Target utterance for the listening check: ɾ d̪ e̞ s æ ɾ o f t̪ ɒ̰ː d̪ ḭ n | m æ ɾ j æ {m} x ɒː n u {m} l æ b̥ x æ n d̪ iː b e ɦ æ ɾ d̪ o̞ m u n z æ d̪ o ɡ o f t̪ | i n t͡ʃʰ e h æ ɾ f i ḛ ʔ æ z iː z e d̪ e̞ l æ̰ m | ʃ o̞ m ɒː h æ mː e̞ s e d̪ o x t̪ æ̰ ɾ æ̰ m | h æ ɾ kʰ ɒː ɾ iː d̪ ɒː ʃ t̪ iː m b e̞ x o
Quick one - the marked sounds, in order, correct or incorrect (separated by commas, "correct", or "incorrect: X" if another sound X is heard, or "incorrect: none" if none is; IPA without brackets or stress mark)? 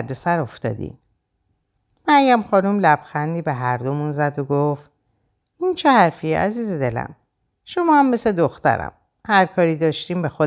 correct, correct